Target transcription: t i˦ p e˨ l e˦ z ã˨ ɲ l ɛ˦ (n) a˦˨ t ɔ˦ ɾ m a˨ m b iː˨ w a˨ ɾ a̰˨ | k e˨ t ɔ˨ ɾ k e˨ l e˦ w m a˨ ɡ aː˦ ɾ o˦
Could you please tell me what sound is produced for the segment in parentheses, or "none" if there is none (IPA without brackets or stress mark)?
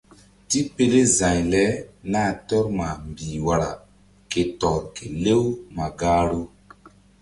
n